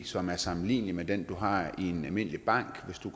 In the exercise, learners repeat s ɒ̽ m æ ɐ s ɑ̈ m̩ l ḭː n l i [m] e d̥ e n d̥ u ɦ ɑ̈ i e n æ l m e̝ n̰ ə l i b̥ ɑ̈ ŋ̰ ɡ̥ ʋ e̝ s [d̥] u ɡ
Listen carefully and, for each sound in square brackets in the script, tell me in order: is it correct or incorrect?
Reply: correct, correct

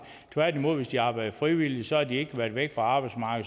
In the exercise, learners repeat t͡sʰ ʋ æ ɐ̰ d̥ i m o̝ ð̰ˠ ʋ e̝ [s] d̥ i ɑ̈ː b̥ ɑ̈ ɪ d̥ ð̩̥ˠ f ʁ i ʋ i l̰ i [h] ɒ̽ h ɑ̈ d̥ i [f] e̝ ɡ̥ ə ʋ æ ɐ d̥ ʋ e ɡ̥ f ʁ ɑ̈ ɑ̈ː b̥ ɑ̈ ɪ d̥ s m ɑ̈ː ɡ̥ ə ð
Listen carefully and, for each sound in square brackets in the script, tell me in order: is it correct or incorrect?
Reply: correct, incorrect, incorrect

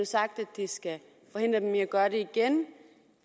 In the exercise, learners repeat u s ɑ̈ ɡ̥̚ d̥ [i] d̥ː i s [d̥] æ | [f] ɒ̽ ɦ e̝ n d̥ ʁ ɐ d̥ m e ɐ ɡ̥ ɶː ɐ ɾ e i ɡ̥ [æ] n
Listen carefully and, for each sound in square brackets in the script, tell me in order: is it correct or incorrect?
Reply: incorrect, incorrect, correct, incorrect

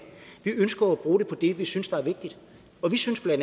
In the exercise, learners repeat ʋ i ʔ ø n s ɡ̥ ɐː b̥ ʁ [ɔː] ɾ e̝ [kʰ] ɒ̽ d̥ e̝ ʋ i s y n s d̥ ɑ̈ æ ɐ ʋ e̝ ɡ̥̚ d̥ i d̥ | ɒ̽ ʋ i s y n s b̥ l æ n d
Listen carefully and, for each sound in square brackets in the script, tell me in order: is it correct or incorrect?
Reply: incorrect, incorrect

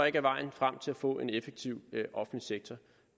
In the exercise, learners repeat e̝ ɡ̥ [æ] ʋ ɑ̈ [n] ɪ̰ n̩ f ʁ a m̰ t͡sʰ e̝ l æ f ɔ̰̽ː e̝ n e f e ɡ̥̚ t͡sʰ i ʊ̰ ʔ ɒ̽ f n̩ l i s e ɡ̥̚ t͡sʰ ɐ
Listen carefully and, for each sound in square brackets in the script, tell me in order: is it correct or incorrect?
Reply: correct, incorrect

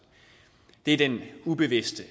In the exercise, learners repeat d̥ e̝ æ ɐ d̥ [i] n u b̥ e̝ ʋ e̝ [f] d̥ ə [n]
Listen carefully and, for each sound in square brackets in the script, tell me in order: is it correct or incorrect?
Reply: incorrect, incorrect, incorrect

